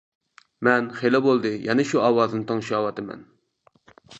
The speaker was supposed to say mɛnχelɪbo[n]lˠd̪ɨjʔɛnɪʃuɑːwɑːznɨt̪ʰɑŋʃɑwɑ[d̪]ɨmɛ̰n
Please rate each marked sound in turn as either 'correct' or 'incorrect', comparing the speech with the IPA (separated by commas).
incorrect, incorrect